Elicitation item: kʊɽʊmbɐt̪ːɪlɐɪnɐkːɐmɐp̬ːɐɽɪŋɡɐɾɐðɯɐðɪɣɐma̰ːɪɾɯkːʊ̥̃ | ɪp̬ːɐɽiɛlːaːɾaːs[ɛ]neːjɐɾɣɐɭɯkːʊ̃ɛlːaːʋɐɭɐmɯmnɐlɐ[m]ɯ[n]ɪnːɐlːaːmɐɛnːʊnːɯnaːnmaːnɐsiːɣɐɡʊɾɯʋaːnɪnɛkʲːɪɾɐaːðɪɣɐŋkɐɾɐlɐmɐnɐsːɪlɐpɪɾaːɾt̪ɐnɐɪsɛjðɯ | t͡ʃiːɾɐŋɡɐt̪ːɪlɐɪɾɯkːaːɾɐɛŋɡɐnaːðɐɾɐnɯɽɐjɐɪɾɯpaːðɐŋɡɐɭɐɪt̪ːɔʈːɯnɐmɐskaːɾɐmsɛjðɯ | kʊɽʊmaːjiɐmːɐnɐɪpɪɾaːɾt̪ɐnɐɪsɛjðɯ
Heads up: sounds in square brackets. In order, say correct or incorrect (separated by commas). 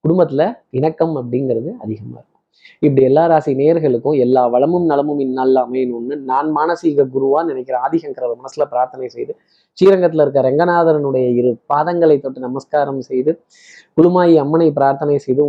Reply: incorrect, correct, incorrect